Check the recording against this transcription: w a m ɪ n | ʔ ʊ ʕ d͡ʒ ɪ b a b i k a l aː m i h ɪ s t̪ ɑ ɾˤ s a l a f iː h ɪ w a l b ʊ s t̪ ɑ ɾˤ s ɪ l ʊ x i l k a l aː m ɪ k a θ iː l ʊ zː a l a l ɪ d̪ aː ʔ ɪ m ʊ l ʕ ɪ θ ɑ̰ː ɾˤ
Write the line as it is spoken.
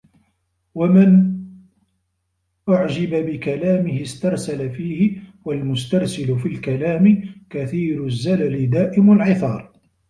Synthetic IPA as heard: w a m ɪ n | ʔ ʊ ʕ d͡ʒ ɪ b a b ɪ k a l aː m ɪ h ɪ s t̪ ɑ ɾˤ s a l a f iː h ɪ w a l m ʊ s t̪ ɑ ɾˤ s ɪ l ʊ f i l k a l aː m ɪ k a θ iː ɾ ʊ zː a l a l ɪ d̪ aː ʔ ɪ m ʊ l ʕ ɪ θ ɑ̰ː ɾˤ